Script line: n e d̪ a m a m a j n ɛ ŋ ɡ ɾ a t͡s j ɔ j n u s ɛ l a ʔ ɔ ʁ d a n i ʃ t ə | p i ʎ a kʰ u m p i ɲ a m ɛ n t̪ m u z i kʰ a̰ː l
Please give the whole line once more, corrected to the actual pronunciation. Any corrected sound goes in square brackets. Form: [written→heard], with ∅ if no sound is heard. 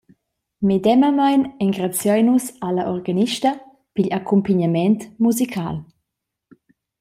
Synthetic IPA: [n→m] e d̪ [a→ɛ] m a m a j n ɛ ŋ ɡ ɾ a t͡s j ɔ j n u s [ɛ→a] l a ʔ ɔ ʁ [d→ɡ] a n i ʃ t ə | p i ʎ a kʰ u m p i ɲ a m ɛ n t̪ m u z i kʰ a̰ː l